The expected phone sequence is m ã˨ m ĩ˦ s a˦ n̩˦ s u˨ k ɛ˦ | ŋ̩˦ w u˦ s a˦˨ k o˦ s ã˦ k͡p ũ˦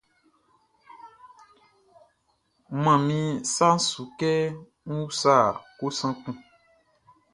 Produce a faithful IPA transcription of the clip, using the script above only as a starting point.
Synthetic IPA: m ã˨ m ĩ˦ s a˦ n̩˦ s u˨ k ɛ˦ | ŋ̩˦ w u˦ s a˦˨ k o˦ s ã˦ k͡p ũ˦